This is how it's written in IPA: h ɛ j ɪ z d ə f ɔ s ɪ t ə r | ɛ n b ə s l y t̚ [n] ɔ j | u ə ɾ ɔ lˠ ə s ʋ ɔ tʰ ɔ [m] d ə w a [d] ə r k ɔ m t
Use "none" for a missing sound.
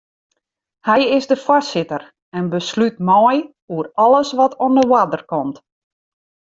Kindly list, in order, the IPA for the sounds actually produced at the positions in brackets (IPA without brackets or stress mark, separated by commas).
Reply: m, n, d